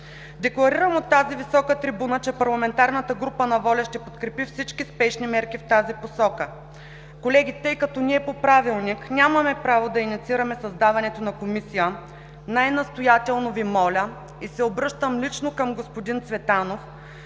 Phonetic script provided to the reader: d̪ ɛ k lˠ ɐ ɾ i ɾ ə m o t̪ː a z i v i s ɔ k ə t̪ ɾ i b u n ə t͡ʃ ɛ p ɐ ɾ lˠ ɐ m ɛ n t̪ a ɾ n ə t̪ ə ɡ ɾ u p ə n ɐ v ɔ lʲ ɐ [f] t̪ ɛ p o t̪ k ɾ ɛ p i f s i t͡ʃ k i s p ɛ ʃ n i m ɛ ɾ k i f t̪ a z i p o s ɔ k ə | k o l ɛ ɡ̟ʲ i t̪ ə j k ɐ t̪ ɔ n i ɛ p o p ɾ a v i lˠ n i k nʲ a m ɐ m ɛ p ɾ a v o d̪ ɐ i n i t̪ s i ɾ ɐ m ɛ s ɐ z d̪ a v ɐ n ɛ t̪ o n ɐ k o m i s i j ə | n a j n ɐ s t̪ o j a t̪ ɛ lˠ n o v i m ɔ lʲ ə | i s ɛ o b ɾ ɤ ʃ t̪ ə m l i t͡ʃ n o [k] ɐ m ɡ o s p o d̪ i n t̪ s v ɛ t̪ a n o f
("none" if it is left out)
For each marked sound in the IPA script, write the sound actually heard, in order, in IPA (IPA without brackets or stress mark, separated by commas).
ʃ, k